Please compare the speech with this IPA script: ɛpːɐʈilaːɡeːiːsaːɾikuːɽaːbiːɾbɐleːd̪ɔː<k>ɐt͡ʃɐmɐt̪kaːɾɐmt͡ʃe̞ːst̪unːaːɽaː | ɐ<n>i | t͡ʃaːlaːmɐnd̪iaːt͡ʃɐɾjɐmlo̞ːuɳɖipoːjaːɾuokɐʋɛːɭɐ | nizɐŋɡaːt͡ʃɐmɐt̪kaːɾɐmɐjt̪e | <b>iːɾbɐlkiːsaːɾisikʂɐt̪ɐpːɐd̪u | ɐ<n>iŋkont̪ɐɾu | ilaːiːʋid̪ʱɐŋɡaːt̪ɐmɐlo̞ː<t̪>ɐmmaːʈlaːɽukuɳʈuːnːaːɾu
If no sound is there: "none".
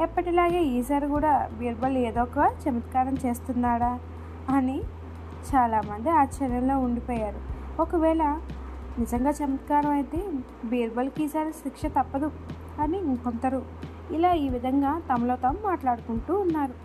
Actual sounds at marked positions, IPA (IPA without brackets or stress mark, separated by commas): k, n, b, n, t̪